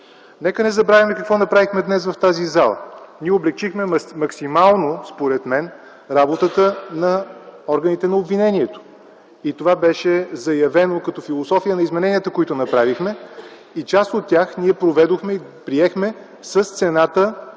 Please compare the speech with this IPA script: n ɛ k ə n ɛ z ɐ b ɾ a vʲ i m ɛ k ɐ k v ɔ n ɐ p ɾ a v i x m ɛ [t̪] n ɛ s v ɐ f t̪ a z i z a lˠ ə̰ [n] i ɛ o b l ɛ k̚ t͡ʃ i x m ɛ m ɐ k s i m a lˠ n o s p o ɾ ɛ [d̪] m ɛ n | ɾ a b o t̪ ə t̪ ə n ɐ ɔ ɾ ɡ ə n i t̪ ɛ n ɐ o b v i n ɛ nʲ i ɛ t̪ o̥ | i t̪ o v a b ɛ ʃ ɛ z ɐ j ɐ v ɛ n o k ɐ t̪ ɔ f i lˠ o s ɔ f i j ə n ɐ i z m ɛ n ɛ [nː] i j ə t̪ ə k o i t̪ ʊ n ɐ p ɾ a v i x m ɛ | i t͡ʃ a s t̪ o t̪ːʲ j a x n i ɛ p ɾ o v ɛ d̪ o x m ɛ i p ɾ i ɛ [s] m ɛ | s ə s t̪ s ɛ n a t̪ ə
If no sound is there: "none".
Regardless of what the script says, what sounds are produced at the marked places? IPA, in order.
d̪, n, t̪, n, x

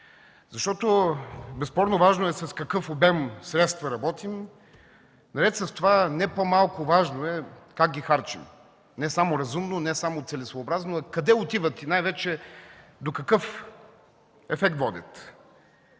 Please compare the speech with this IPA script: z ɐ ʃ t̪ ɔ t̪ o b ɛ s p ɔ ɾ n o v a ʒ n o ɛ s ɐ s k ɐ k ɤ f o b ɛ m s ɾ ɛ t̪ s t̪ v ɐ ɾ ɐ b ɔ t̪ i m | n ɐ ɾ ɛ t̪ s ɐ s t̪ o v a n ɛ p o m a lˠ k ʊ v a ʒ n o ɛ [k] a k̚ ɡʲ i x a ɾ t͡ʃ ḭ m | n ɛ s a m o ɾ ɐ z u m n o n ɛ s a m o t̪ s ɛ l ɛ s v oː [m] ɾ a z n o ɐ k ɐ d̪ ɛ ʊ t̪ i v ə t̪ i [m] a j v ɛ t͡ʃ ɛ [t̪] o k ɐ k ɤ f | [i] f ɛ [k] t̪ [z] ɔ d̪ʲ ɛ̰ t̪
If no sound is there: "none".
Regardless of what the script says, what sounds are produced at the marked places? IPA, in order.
k, b, n, d̪, ɛ, k, v

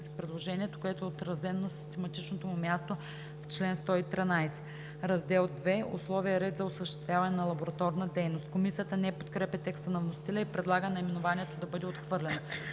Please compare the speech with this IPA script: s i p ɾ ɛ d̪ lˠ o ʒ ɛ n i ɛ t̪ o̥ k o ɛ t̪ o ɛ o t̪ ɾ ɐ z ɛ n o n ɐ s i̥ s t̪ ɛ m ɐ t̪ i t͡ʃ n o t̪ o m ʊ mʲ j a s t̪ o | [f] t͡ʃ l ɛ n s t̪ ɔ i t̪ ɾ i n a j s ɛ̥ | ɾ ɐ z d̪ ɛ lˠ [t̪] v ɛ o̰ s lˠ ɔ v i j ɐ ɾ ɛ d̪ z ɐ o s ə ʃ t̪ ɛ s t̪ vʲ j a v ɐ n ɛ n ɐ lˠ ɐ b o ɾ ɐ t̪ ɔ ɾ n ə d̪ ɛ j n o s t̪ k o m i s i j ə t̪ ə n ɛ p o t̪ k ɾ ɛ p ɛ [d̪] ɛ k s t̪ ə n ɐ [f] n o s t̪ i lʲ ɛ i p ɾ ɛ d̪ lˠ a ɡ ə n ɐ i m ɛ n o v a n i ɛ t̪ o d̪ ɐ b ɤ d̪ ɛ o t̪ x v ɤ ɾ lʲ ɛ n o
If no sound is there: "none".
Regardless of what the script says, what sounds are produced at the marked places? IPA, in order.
f, d̪, t̪, v

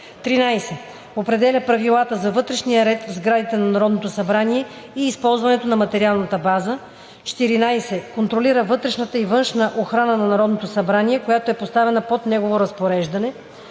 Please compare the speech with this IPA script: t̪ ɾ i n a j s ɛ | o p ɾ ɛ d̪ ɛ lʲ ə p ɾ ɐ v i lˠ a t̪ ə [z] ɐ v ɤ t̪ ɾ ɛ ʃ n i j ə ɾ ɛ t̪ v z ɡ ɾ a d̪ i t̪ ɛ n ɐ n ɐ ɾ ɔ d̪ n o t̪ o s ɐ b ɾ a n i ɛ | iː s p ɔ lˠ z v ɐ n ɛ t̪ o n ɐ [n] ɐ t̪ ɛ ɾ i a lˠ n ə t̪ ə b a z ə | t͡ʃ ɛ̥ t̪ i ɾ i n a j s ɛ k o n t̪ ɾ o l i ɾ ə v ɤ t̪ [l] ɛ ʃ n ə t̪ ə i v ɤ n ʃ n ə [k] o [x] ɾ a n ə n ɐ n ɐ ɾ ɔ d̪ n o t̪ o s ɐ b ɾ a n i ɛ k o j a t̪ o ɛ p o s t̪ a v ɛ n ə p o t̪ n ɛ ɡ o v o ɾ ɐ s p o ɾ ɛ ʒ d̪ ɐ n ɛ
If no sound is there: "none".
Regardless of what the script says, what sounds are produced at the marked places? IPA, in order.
z, m, ɾ, ʔ, x

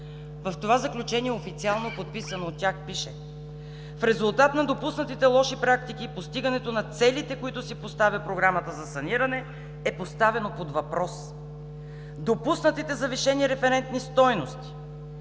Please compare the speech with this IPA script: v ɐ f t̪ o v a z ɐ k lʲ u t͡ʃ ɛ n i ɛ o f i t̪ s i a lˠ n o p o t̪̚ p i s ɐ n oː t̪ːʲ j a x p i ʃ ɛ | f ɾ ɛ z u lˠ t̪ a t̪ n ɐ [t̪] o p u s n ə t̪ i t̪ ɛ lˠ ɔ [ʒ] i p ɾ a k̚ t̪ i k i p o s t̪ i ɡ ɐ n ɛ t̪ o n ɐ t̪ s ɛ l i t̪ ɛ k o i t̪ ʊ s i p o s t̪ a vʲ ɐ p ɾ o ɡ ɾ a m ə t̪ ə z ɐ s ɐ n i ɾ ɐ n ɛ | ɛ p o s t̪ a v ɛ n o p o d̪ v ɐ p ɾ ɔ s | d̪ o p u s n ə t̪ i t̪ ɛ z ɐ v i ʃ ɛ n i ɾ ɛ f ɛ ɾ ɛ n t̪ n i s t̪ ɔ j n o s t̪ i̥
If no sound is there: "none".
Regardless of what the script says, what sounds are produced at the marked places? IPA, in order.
d̪, ʃ

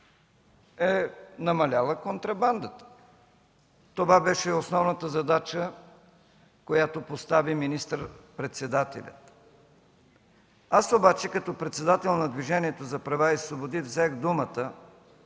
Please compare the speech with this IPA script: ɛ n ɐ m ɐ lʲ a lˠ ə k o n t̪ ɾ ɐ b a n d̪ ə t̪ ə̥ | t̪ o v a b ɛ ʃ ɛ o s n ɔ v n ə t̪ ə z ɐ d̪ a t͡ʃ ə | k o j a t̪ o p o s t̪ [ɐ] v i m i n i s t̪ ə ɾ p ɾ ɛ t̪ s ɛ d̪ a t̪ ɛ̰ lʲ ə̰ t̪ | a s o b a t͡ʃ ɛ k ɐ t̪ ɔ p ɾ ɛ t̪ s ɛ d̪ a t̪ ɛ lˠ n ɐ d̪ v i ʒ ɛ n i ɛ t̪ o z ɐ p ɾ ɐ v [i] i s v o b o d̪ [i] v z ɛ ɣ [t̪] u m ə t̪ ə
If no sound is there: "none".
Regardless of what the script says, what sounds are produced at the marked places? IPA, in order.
a, a, i, d̪

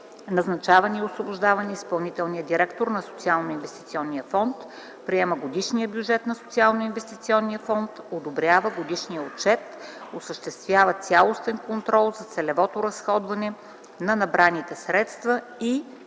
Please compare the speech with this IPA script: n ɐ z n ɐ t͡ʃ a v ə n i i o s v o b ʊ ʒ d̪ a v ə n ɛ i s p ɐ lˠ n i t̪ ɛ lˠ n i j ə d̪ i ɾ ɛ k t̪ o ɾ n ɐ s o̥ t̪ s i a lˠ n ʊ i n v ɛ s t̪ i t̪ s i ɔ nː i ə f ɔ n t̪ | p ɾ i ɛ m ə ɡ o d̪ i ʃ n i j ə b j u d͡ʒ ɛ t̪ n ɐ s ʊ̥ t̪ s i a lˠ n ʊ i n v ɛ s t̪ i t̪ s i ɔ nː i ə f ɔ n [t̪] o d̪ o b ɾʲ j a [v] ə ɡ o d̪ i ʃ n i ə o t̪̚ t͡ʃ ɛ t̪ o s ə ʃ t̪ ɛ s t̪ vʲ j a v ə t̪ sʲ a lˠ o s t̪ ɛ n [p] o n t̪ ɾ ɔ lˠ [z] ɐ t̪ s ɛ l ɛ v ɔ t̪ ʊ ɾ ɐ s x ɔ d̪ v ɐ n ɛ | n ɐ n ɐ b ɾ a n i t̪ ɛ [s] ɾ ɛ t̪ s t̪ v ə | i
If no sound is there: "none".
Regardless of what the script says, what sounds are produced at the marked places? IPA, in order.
t̪, v, k, z, s

